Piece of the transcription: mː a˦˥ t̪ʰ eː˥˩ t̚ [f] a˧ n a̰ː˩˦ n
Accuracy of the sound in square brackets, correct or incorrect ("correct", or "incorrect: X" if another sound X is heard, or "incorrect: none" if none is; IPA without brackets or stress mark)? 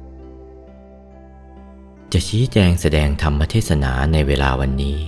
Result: incorrect: s